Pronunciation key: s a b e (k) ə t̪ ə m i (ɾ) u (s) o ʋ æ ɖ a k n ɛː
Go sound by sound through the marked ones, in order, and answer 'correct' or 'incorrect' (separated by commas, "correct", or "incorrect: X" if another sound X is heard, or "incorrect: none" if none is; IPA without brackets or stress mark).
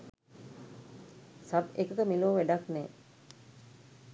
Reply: correct, incorrect: l, incorrect: none